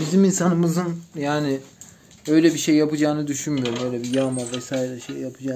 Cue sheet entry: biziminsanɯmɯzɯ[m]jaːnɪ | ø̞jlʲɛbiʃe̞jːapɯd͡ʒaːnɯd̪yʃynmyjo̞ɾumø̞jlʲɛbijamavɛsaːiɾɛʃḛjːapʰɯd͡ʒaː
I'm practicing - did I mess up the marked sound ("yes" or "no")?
yes